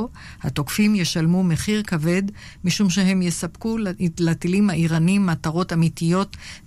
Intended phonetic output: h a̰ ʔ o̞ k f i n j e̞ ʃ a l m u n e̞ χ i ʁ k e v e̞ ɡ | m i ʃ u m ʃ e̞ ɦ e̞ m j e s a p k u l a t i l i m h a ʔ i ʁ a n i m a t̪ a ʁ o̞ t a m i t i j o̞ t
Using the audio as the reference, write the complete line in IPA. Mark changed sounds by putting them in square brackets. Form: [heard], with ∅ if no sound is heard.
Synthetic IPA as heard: h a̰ [t] o̞ k f i [m] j e̞ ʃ a l m u [m] e̞ χ i ʁ k [a] v e̞ [d] | m i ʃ u m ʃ e̞ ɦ e̞ m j e s a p k u l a t i l i m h a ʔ i ʁ a n i m a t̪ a ʁ o̞ t a m i t i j o̞ t